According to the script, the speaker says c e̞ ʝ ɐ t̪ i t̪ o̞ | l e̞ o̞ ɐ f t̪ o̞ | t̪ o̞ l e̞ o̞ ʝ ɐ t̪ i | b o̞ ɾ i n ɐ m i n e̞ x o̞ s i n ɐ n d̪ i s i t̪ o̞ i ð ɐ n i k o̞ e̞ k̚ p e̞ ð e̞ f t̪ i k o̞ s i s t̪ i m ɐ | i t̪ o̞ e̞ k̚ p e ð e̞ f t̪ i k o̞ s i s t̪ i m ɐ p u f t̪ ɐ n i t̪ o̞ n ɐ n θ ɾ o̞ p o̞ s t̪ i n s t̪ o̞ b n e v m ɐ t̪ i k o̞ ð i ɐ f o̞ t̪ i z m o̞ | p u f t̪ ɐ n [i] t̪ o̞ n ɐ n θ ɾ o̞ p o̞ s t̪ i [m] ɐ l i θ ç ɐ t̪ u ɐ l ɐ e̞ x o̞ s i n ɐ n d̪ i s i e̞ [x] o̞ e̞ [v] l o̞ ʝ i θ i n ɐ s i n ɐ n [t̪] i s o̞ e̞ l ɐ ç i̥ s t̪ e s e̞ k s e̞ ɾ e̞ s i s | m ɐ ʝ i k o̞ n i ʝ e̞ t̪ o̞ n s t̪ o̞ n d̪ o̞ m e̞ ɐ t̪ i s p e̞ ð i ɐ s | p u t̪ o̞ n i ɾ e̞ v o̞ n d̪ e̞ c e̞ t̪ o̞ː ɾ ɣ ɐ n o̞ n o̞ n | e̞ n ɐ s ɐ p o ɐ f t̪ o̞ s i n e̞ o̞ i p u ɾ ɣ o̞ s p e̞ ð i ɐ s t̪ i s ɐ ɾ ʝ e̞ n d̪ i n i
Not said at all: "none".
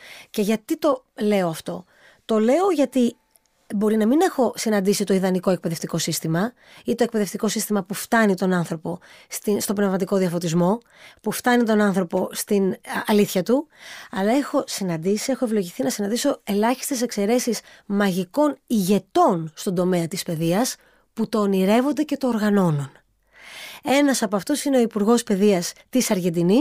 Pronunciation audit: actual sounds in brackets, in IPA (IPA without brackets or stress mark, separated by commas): i, n, x, v, d̪